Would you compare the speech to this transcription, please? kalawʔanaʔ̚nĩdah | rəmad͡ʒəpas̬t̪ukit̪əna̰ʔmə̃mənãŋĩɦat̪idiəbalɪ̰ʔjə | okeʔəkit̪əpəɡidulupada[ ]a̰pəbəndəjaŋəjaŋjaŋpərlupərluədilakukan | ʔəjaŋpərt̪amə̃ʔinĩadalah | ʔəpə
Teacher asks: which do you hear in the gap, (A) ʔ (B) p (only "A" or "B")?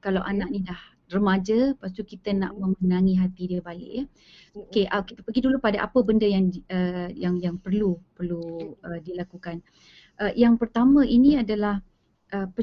A